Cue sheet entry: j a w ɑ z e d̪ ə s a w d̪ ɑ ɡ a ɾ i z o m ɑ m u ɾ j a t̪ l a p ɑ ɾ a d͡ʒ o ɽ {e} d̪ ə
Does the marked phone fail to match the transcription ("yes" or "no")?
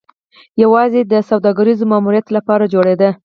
no